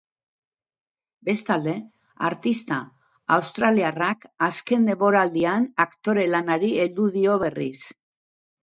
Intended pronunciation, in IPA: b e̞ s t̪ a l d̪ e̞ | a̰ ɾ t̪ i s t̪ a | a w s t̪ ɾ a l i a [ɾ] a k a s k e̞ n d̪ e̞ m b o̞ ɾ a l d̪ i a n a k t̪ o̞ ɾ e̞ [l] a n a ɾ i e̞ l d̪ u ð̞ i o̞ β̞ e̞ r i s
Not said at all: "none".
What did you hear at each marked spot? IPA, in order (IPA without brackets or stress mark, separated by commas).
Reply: r, l